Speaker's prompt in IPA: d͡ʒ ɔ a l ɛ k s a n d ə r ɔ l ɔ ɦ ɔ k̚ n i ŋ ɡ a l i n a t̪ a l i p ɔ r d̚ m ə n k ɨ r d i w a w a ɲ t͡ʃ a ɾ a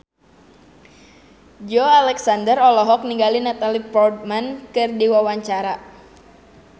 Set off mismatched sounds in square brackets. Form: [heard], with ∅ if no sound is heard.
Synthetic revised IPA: d͡ʒ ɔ a l ɛ k s a n d ə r ɔ l ɔ ɦ ɔ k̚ n i ŋ ɡ a l i n a t̪ a l i p ɔ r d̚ m [a] n k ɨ r d i w a w a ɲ t͡ʃ a ɾ a